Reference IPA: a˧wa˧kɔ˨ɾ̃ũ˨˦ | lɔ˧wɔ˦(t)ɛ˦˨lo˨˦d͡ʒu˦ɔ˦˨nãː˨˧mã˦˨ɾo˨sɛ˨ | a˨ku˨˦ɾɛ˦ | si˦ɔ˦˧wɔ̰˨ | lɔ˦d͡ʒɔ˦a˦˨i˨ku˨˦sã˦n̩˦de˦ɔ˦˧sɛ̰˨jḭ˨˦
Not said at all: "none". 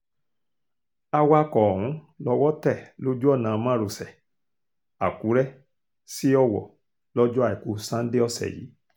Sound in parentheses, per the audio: t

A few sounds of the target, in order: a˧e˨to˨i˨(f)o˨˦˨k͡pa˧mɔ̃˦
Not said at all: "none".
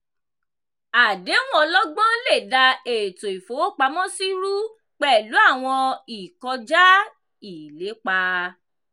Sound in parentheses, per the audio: f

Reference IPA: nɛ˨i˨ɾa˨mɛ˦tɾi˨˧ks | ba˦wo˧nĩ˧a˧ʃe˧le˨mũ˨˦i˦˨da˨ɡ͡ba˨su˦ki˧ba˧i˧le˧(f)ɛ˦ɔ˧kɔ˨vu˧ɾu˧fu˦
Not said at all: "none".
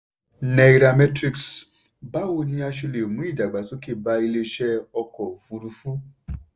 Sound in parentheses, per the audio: ʃ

